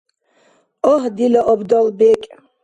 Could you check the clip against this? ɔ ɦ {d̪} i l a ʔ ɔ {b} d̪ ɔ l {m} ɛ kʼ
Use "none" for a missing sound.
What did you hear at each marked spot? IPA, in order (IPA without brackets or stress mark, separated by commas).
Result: d̪, b, b